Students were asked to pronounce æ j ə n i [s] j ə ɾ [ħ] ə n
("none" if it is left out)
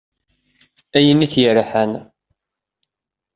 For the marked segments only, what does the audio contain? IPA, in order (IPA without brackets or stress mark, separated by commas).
θ, ħ